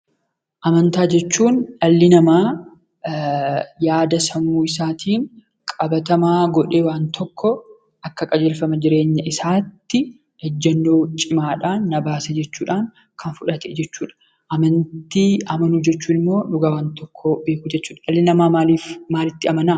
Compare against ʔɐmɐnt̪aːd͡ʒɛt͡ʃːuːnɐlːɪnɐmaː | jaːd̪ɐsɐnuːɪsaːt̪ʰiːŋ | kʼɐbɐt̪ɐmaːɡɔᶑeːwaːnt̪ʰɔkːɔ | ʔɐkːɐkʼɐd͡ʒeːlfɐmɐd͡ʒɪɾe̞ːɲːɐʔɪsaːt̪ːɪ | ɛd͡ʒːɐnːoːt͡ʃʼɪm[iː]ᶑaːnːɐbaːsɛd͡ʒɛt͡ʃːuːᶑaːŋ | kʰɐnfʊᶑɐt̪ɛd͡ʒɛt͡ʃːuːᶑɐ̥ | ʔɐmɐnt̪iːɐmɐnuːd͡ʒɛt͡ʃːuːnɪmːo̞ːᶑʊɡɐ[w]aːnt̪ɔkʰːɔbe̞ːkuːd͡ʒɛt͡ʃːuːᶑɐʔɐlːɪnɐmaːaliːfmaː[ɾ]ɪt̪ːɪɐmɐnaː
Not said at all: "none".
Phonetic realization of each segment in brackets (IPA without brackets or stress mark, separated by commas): aː, w, l